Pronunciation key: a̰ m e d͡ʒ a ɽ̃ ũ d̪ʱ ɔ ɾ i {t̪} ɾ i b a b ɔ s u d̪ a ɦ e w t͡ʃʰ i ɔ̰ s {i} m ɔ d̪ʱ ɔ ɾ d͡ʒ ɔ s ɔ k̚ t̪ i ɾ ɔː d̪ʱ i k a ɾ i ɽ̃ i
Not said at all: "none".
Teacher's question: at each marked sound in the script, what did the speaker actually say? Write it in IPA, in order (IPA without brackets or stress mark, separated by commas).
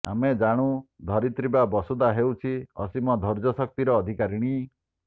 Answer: t̪, i